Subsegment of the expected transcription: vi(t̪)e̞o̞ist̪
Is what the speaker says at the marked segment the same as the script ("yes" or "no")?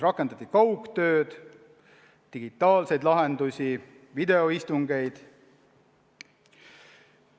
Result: no